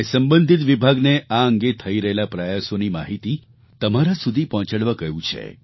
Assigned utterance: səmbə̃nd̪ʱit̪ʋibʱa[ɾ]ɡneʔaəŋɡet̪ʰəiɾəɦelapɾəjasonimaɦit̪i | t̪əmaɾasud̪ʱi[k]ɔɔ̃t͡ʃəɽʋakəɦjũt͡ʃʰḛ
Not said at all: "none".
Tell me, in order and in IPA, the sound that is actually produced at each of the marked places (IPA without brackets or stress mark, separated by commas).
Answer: none, p